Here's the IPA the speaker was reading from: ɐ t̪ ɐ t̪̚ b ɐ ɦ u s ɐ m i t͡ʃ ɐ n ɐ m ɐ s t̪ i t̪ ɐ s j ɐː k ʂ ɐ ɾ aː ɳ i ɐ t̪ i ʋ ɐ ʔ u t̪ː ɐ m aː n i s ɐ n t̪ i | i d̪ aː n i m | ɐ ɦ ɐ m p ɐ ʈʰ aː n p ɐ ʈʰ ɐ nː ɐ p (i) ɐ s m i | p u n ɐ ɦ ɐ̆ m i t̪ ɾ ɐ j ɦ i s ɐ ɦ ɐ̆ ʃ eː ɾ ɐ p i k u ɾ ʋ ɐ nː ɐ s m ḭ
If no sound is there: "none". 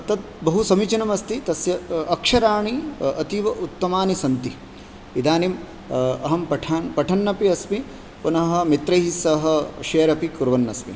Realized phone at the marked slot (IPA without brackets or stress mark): i